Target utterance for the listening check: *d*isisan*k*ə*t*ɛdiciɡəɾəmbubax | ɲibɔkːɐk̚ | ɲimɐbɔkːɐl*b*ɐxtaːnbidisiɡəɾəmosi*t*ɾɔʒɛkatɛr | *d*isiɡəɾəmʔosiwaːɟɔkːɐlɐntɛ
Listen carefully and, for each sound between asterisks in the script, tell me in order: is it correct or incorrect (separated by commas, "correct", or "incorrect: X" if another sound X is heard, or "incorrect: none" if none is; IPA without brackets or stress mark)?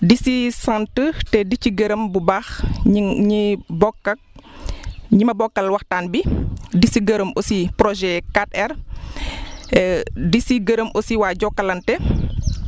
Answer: correct, incorrect: t, correct, incorrect: w, incorrect: p, correct